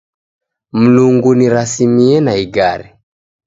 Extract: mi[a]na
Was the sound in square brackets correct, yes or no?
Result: no